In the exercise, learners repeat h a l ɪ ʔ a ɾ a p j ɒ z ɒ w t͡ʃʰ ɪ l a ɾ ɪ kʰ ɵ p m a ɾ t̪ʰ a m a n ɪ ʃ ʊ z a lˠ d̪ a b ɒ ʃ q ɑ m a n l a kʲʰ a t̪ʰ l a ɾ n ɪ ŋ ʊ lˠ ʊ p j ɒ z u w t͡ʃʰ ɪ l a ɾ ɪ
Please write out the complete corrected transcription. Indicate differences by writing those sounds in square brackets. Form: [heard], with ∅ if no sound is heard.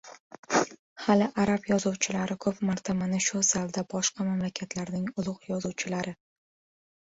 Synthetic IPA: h a l ɪ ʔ a ɾ a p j ɒ z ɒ w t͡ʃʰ ɪ l a ɾ ɪ kʰ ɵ p m a ɾ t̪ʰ a m a n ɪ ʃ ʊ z a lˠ d̪ a b ɒ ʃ q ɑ m a [m] l a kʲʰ a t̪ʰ l a ɾ n ɪ ŋ ʊ lˠ ʊ [q] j ɒ z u w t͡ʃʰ ɪ l a ɾ ɪ